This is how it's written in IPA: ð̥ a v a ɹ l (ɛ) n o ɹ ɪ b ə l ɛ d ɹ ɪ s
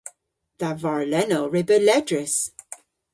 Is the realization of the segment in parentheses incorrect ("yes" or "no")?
no